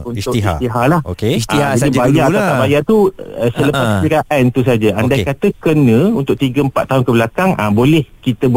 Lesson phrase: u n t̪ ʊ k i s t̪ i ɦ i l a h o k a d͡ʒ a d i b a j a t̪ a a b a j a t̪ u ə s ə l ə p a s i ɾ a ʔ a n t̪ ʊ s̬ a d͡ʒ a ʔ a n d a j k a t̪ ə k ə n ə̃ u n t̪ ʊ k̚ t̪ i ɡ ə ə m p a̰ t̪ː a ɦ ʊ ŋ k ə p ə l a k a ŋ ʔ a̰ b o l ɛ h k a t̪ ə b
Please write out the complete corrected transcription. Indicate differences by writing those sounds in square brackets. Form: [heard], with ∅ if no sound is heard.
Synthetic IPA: u n t̪ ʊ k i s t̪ i ɦ [a] l a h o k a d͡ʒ a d i b a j a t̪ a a b a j a t̪ u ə s ə l ə p a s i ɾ a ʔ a n t̪ [u] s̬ a d͡ʒ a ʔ a n d a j k a t̪ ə k ə n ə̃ u n t̪ ʊ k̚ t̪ i ɡ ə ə m p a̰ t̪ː a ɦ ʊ [n] k ə [b] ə l a k a ŋ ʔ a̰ b o l ɛ h k [i] t̪ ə b